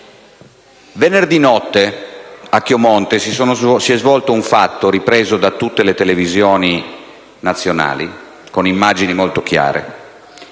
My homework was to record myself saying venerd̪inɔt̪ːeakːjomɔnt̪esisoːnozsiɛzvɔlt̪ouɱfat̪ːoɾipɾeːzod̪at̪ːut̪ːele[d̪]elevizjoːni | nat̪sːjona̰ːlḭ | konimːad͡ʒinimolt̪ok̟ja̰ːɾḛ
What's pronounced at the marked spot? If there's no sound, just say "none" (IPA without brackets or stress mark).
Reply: t̪